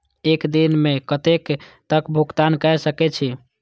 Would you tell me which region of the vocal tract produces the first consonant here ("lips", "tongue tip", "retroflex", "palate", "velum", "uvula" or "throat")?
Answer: velum